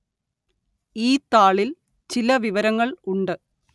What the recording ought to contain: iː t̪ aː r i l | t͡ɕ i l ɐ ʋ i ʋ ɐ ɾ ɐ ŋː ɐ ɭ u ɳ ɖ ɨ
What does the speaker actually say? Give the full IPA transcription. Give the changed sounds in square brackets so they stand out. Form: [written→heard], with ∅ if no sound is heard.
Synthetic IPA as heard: iː t̪ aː [r→ɭ] i l | t͡ɕ i l ɐ ʋ i ʋ ɐ ɾ ɐ ŋː ɐ ɭ u ɳ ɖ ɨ